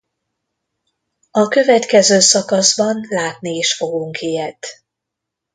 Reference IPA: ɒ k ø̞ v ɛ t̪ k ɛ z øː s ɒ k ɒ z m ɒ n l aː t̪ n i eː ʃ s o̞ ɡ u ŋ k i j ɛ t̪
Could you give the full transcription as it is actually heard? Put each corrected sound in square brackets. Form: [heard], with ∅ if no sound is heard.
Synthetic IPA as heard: ɒ k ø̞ v ɛ t̪ k ɛ z øː s ɒ k ɒ z [b] ɒ n l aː t̪ n i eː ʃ [f] o̞ ɡ u ŋ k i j ɛ t̪

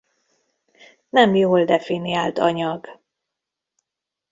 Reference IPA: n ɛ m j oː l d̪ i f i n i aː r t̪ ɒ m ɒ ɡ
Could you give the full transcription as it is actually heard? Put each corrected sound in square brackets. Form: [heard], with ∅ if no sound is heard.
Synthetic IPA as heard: n ɛ m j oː l d̪ [ɛ] f i n i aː [l] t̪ ɒ [ɲ] ɒ ɡ

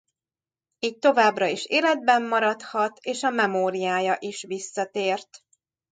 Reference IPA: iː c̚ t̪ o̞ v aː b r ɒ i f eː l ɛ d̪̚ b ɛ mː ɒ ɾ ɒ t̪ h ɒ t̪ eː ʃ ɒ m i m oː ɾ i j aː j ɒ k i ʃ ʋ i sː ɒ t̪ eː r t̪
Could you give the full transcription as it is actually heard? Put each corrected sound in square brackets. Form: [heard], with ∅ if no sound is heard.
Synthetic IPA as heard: iː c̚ t̪ o̞ v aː b r ɒ i [ʃ] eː l ɛ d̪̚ b ɛ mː ɒ ɾ ɒ t̪ h ɒ t̪ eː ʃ ɒ m [ɛ] m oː ɾ i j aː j ɒ [ʔ] i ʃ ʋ i sː ɒ t̪ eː r t̪

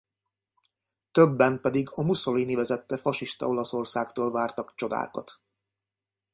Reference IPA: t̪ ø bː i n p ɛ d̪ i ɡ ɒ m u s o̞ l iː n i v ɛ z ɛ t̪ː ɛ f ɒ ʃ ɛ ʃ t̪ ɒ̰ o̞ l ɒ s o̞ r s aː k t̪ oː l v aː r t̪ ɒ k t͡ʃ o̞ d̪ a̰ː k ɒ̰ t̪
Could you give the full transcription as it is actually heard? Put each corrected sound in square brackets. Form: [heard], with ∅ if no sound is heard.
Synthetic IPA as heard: t̪ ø bː [ɛ] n p ɛ d̪ i ɡ ɒ m u s o̞ l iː n i v ɛ z ɛ t̪ː ɛ f ɒ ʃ [i] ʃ t̪ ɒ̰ o̞ l ɒ s o̞ r s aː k t̪ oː l v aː r t̪ ɒ k t͡ʃ o̞ d̪ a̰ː k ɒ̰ t̪

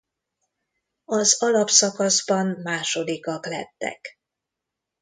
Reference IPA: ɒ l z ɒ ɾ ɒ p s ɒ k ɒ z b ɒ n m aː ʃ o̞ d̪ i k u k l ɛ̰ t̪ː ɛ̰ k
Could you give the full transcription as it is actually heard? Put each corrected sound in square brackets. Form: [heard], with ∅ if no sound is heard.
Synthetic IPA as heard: ɒ [∅] z ɒ [l] ɒ p s ɒ k ɒ z b ɒ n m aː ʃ o̞ d̪ i k [ɒ] k l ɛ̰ t̪ː ɛ̰ k

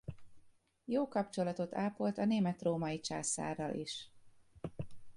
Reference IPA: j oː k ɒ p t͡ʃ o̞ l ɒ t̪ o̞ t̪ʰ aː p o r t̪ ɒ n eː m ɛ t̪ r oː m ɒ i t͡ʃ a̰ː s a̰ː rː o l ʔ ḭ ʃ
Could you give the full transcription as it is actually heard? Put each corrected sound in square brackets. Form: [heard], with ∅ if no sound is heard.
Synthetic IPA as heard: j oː k ɒ p t͡ʃ o̞ l ɒ t̪ o̞ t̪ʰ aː p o [l] t̪ ɒ n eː m ɛ t̪ r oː m ɒ i t͡ʃ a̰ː s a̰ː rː [ɒ] l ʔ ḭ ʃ

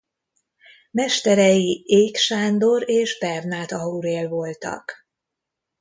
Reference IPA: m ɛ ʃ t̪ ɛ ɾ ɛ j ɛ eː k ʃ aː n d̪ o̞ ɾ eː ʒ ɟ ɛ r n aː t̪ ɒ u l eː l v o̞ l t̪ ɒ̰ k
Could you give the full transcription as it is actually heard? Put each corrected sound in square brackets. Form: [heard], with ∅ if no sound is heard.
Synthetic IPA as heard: m ɛ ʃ t̪ ɛ ɾ ɛ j [i] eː k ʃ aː n d̪ o̞ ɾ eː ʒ [b] ɛ r n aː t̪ ɒ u [ɾ] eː l v o̞ l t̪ ɒ̰ k

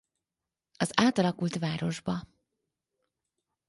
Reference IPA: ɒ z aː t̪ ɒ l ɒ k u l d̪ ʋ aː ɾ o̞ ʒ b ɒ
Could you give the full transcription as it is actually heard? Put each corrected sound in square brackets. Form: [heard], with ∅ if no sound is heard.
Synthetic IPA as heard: ɒ z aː t̪ ɒ l ɒ k u l [t̪] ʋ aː ɾ o̞ ʒ b ɒ

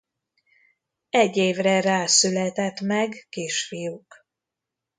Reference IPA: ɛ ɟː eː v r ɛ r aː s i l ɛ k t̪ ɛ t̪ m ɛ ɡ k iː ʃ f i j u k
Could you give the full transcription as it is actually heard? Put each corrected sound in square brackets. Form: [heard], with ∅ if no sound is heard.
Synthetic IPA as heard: ɛ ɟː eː v r ɛ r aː s [y] l ɛ [∅] t̪ ɛ t̪ m ɛ ɡ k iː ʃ f i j u k

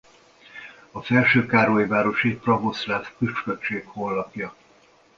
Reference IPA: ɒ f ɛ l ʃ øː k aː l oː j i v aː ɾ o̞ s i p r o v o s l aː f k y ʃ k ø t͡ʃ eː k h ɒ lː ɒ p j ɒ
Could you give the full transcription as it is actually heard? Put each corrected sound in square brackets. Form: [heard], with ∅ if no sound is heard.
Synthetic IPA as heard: ɒ f ɛ l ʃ øː k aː [ɾ] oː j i v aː ɾ o̞ [ʃ] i p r [ɒ] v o s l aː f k y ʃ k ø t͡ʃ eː k h [o] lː ɒ p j ɒ

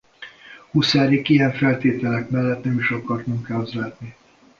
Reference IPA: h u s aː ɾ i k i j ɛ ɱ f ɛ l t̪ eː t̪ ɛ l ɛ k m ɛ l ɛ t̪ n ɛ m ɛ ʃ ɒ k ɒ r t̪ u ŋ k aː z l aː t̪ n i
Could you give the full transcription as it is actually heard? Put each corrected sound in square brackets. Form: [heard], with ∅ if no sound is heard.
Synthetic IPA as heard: h u s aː ɾ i k i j ɛ ɱ f ɛ l t̪ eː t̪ ɛ l ɛ k m ɛ [lː] ɛ t̪ n ɛ m [i] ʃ ɒ k ɒ r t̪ u ŋ k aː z l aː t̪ n i

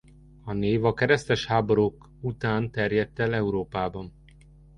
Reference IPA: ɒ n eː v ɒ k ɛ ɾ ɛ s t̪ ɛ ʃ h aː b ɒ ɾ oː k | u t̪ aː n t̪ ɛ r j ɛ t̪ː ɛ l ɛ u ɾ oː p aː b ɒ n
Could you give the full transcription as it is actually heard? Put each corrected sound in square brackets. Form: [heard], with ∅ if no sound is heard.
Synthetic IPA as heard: ɒ n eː v ɒ k ɛ ɾ ɛ s t̪ ɛ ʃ h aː b [o] ɾ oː k | u t̪ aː n t̪ ɛ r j ɛ t̪ː ɛ l ɛ u ɾ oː p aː b ɒ n

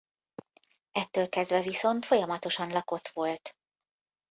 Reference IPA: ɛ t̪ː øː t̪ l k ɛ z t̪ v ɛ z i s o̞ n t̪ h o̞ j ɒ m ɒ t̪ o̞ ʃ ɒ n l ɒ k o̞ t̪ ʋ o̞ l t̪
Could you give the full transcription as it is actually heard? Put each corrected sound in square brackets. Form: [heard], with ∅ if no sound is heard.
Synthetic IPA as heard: ɛ t̪ː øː [∅] l k ɛ z [d̪] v ɛ [v] i s o̞ n t̪ [f] o̞ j ɒ m ɒ t̪ o̞ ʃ ɒ n l ɒ k o̞ t̪ ʋ o̞ l t̪

